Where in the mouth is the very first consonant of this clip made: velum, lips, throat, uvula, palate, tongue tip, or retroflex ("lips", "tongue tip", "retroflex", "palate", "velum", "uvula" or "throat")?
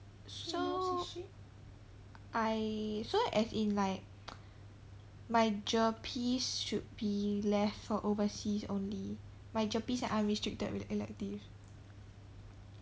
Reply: tongue tip